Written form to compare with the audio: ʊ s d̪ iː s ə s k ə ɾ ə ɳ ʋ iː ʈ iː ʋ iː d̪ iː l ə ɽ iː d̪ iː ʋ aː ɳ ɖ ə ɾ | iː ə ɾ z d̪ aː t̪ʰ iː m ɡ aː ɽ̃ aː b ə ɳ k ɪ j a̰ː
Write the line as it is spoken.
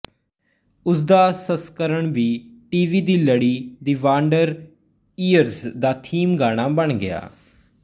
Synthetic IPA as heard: ʊ s d̪ aː s ə s k ə ɾ ə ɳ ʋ iː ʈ iː ʋ iː d̪ iː l ə ɽ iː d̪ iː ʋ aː ɳ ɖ ə ɾ | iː ə ɾ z d̪ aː t̪ʰ iː m ɡ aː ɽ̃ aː b ə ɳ ɡ ɪ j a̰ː

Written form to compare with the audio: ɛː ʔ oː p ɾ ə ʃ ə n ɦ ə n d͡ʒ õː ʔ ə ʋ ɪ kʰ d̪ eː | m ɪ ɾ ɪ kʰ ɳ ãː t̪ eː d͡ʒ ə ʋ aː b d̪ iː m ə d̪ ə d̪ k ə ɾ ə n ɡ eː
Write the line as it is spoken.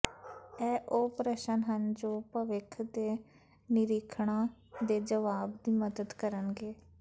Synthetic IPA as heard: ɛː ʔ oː p ɾ ə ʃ ə n ɦ ə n d͡ʒ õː p ə ʋ ɪ kʰ d̪ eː | n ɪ ɾ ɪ kʰ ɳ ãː d̪ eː d͡ʒ ə ʋ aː b d̪ iː m ə d̪ ə d̪ k ə ɾ ə n ɡ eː

